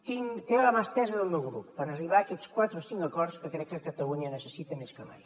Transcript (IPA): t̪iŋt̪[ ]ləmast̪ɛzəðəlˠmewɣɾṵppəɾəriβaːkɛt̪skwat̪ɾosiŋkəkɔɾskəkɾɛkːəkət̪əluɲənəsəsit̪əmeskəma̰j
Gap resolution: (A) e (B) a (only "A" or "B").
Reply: A